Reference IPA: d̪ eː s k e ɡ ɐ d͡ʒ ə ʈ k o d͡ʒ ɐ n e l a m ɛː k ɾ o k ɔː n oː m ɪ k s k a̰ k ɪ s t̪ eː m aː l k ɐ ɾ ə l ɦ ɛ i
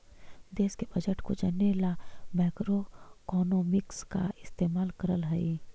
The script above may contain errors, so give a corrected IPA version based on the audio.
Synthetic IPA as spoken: d̪ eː s k e b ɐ d͡ʒ ə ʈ k o d͡ʒ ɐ n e l a m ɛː k ɾ o k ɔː n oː m ɪ k s k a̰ ɪ s t̪ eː m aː l k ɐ ɾ ə l ɦ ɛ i

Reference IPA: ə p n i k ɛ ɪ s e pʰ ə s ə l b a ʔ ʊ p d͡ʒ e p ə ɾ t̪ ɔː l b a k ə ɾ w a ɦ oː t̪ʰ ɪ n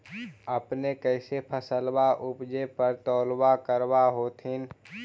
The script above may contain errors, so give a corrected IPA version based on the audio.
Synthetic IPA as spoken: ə p n e k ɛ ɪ s e pʰ ə s ə l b a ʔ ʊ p d͡ʒ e p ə ɾ t̪ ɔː l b a k ə ɾ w a ɦ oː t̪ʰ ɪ n

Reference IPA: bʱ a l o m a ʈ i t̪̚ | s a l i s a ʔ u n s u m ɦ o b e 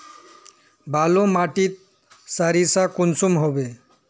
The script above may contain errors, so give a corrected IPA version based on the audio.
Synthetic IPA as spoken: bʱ a l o m a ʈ i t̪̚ | s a ɾ i s a k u n s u m ɦ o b e

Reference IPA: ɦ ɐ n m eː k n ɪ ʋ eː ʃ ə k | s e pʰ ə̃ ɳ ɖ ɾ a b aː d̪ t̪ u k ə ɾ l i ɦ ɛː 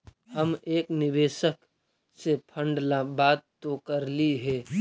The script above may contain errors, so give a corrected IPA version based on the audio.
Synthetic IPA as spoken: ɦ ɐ m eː k n ɪ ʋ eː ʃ ə k | s e pʰ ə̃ ɳ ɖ l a b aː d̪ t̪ o k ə ɾ l i ɦ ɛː

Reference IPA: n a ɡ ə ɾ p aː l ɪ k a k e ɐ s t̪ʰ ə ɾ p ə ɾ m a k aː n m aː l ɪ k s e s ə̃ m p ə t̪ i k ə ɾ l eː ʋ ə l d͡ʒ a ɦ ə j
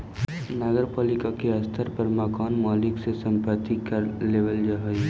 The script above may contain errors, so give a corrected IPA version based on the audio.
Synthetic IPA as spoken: n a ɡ ə ɾ p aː l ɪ k a k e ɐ s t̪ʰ ə ɾ p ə ɾ m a k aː n m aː l ɪ k s e s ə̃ m p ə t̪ i k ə ɾ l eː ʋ ə l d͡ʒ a ɦ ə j

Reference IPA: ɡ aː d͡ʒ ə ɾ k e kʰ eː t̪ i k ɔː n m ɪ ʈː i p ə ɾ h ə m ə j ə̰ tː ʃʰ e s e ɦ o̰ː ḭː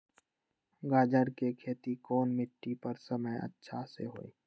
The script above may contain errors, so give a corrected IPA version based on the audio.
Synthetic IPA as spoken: ɡ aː d͡ʒ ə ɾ k e kʰ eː t̪ i k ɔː n m ɪ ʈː i p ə ɾ s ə m ə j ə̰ tː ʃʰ a s e ɦ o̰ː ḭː

